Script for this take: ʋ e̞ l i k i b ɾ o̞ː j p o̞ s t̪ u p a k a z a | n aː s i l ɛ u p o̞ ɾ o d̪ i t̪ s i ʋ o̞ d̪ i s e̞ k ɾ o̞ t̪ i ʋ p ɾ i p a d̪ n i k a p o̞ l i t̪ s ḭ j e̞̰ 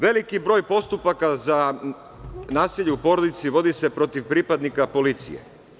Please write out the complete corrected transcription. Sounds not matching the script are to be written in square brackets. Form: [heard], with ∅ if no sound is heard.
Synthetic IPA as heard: ʋ e̞ l i k i b ɾ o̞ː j p o̞ s t̪ u p a k a z a | n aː s i [ʎ] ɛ u p o̞ ɾ o d̪ i t̪ s i ʋ o̞ d̪ i s e̞ [p] ɾ o̞ t̪ i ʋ p ɾ i p a d̪ n i k a p o̞ l i t̪ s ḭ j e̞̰